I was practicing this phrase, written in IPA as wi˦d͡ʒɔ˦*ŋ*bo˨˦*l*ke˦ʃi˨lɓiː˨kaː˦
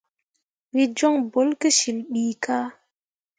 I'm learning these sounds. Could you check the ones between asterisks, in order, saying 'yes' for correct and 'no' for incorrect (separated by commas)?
yes, yes